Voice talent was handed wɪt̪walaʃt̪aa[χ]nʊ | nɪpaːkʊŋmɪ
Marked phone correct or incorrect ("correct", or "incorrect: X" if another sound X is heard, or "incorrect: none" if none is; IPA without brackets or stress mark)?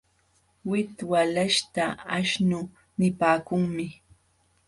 incorrect: ʃ